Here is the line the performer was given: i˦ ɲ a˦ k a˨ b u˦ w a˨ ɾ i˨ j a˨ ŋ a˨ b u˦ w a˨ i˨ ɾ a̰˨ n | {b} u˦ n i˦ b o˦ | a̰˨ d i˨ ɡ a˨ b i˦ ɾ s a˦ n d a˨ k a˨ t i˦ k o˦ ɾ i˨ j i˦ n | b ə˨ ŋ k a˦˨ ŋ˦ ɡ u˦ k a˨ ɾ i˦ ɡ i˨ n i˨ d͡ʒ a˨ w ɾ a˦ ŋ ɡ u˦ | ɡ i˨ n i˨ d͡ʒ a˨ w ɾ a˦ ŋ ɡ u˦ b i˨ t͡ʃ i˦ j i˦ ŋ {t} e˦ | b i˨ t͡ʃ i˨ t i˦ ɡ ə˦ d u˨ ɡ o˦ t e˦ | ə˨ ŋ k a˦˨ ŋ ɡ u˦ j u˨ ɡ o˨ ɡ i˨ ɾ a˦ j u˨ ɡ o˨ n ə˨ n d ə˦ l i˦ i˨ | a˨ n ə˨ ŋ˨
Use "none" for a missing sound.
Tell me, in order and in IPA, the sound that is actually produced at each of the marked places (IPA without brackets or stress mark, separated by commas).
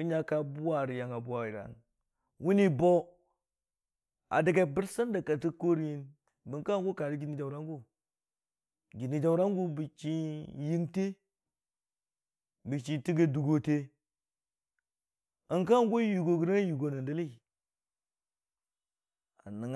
w, t